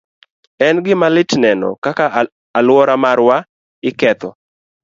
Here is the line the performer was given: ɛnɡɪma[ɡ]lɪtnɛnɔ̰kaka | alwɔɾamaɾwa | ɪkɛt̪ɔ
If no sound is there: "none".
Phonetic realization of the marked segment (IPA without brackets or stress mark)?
none